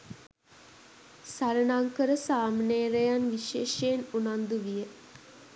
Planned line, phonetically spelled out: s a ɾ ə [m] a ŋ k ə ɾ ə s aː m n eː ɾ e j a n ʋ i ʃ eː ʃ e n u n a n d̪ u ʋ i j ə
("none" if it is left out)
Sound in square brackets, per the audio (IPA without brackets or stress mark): n